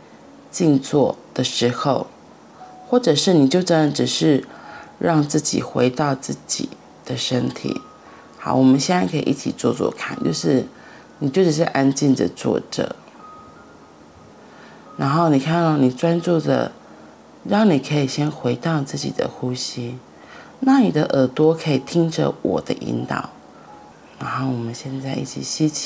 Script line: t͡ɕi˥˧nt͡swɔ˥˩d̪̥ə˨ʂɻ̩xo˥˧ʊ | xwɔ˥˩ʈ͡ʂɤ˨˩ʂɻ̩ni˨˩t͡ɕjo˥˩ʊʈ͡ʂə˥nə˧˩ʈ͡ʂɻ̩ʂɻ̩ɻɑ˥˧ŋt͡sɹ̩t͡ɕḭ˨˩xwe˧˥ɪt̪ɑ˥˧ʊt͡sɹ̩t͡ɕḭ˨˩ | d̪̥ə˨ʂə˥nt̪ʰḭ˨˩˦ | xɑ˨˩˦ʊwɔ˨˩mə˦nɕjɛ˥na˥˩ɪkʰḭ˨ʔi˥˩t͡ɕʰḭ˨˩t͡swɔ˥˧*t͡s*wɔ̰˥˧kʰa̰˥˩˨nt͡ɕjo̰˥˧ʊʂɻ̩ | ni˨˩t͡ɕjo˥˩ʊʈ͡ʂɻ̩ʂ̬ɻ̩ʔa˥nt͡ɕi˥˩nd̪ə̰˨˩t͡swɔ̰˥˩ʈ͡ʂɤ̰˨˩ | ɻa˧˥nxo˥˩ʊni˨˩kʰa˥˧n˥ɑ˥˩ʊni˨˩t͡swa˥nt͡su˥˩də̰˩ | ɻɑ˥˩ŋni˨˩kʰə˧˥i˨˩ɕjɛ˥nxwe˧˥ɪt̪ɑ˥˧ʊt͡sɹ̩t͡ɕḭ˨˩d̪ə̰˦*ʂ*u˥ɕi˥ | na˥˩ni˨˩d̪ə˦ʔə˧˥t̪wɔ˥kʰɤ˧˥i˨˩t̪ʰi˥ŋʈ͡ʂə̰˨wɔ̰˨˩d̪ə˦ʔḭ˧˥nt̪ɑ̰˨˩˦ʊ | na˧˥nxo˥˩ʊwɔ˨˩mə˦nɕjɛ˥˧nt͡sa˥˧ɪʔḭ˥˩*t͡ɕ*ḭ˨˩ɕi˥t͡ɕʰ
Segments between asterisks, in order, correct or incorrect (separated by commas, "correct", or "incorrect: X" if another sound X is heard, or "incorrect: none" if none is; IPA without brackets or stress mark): correct, incorrect: x, incorrect: t͡ɕʰ